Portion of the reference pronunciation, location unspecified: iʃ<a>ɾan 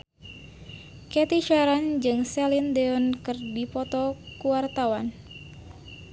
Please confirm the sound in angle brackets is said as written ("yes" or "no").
yes